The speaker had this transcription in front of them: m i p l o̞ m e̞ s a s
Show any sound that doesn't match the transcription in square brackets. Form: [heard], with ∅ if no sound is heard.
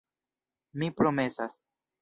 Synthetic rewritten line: m i p [ɾ] o̞ m e̞ s a s